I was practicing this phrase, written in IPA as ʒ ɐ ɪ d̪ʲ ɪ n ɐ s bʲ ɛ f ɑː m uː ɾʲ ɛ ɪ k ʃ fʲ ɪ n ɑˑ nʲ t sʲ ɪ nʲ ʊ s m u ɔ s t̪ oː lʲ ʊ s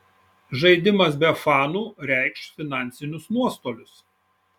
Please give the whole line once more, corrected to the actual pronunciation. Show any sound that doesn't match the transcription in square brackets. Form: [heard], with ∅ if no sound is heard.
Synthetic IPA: ʒ ɐ ɪ d̪ʲ ɪ [m] ɐ s bʲ ɛ f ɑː [n] uː ɾʲ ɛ ɪ k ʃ fʲ ɪ n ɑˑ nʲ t sʲ ɪ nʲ ʊ s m u ɔ s t̪ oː lʲ ʊ s